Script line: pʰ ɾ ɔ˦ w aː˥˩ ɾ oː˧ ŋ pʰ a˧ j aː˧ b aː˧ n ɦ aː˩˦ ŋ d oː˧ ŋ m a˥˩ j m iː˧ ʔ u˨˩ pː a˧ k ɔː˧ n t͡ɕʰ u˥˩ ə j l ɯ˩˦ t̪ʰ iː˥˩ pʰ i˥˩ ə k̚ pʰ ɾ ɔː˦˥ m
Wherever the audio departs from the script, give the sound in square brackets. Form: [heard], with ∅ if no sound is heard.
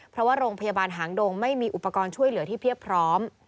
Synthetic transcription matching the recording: pʰ ɾ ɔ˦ w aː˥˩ ɾ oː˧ ŋ pʰ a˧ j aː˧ b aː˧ n ɦ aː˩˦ ŋ d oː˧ ŋ m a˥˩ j m iː˧ ʔ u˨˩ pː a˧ k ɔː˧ n t͡ɕʰ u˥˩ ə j l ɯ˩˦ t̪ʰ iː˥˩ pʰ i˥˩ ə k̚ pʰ ɾ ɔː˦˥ m